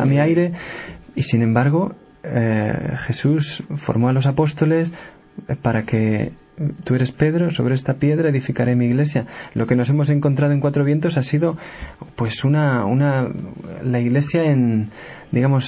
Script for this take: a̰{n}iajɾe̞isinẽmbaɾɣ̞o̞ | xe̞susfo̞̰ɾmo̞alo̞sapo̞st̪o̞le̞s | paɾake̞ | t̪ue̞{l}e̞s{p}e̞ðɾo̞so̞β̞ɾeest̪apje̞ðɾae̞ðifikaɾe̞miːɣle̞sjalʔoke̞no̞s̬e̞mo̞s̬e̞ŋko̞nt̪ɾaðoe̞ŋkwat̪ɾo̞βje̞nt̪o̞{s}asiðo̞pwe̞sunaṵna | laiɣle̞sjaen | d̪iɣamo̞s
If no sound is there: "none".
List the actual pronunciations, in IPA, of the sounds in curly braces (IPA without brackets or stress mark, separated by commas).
m, ɾ, p, s